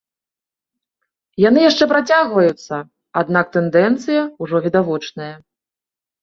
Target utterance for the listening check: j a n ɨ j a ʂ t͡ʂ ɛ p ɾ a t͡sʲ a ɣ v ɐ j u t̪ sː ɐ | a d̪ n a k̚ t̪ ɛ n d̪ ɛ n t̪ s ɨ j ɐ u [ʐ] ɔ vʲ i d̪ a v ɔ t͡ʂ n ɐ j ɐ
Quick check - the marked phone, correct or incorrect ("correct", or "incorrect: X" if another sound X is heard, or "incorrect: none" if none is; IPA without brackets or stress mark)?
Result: correct